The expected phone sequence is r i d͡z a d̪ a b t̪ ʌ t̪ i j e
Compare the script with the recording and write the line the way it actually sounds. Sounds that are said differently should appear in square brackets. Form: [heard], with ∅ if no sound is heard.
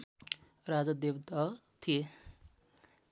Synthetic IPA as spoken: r [a] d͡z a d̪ [e] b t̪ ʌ [t̪ʰ] i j e